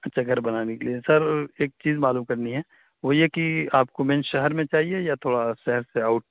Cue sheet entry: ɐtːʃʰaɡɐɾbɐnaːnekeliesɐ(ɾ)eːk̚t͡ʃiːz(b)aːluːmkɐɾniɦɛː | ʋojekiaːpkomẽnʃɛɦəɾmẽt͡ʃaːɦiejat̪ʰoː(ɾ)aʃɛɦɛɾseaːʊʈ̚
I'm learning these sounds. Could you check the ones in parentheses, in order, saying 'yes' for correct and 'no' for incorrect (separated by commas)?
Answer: yes, no, no